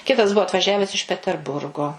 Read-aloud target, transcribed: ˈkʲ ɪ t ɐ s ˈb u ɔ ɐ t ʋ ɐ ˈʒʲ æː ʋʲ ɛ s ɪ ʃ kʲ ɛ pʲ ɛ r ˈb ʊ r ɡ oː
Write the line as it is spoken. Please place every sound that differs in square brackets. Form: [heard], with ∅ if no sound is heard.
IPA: ˈkʲ ɪ t ɐ s ˈb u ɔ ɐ t ʋ ɐ ˈʒʲ æː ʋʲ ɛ s ɪ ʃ [pʲ] ɛ [tʲ] ɛ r ˈb ʊ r ɡ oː